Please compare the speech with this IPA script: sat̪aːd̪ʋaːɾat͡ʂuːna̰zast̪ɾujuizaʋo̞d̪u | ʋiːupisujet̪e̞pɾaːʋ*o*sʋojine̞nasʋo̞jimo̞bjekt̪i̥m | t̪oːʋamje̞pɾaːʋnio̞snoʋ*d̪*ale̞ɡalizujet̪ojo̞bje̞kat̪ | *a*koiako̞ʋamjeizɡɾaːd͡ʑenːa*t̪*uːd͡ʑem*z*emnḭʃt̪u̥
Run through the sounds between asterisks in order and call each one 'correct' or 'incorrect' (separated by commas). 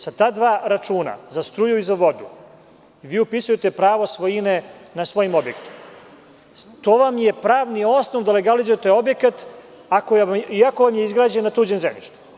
correct, correct, correct, correct, correct